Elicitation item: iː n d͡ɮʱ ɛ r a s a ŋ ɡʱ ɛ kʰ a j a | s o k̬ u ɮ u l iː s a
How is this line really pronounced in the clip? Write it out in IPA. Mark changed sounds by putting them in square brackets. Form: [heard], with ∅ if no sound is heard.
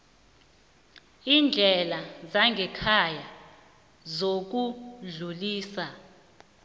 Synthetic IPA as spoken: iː n d͡ɮʱ ɛ [l] a [z] a ŋ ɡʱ ɛ kʰ a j a | [z] o k̬ u ɮ u l iː s a